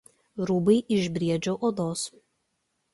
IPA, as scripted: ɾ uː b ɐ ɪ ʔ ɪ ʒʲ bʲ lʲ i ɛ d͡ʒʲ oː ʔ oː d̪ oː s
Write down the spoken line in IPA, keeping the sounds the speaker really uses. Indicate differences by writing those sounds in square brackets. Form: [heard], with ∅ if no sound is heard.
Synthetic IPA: ɾ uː b ɐ ɪ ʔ ɪ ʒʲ bʲ [ɾʲ] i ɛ d͡ʒʲ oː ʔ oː d̪ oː s